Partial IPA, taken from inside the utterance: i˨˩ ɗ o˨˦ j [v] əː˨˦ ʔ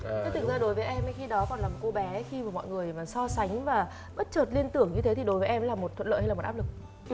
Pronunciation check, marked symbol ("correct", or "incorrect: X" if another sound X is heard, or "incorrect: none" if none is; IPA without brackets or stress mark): correct